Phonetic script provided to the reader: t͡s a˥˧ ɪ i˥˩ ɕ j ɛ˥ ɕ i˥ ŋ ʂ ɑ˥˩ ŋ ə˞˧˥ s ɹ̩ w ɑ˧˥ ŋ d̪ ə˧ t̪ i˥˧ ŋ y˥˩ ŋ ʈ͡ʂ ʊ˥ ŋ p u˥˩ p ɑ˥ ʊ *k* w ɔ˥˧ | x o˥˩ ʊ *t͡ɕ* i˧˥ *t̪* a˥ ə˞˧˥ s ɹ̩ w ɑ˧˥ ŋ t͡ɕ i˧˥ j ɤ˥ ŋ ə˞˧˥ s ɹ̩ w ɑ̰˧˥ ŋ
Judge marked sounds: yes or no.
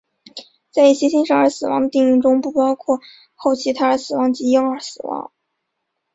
no, no, no

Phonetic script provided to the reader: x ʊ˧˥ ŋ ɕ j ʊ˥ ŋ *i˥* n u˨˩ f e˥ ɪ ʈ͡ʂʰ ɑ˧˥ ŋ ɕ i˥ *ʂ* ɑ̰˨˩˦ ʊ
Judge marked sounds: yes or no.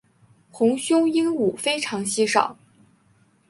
yes, yes

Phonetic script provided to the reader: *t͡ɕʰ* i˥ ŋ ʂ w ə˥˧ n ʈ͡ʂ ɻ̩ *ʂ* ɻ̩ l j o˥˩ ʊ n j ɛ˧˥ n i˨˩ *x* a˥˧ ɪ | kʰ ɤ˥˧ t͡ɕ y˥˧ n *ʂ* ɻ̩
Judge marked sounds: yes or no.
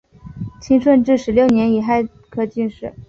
yes, yes, yes, yes

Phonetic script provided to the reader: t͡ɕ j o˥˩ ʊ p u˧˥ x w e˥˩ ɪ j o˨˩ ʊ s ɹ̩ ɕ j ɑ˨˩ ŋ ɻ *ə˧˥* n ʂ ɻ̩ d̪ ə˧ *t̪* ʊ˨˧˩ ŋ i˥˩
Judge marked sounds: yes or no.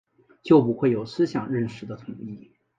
no, no

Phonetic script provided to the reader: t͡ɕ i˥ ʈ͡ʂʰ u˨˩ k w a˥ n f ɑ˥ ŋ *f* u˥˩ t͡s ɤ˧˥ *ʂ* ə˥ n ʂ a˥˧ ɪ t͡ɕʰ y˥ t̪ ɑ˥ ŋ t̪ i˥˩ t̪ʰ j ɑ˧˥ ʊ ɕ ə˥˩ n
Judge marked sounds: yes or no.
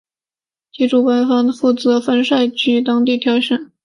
yes, no

